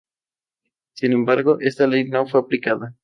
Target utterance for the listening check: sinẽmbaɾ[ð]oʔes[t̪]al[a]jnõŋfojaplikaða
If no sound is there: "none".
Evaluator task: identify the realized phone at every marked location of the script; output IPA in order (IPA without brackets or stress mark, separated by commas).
ɣ, t̪, e